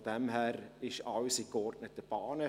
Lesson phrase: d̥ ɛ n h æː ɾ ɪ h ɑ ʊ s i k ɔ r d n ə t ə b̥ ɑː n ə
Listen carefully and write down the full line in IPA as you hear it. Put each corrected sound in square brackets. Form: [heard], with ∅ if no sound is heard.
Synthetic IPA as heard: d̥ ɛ [m] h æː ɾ ɪ [ʃ] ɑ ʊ s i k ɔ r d n ə t ə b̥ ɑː n ə